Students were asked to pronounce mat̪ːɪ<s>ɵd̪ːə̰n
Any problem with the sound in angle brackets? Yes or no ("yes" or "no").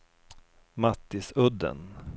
no